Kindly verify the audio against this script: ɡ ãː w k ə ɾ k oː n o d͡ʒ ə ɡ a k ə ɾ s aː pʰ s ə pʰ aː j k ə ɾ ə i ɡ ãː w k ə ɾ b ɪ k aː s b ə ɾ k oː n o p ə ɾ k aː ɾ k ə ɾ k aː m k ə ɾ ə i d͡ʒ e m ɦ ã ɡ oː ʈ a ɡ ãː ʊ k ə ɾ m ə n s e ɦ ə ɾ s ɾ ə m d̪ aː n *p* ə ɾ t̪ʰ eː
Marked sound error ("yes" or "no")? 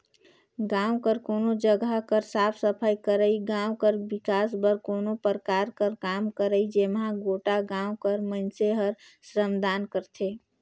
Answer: yes